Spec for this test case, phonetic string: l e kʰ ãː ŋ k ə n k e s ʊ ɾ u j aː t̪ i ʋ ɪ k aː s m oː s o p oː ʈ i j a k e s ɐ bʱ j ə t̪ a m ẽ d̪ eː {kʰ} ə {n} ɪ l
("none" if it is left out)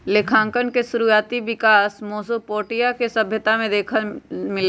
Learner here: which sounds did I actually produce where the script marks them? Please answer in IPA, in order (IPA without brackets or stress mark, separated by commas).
kʰ, m